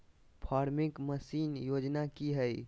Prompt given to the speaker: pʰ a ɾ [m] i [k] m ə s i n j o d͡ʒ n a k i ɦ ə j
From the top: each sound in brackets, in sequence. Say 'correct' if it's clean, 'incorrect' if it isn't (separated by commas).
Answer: correct, correct